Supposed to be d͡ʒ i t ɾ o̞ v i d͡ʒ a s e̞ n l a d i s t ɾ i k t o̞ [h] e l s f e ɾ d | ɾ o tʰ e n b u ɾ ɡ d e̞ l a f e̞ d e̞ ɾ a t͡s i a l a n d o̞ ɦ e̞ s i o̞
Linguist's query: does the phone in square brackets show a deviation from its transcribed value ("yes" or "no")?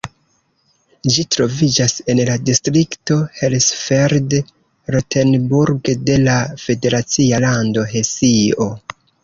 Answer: no